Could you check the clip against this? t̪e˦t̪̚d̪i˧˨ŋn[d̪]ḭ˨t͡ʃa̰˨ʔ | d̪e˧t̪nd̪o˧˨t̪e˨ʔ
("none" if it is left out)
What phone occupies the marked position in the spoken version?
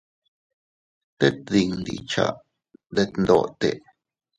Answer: d̪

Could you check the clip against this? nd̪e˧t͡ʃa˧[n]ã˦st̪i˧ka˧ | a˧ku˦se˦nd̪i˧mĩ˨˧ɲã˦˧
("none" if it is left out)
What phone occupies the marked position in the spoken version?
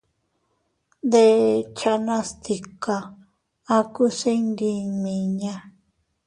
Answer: n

